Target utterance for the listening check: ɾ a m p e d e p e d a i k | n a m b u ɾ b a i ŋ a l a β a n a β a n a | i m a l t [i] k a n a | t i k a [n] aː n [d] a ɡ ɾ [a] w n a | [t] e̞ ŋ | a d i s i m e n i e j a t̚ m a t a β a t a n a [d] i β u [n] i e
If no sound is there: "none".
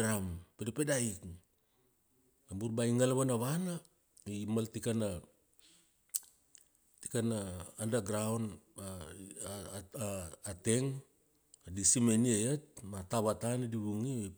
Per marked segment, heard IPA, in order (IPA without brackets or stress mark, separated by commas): i, n, d, a, t, d, ŋ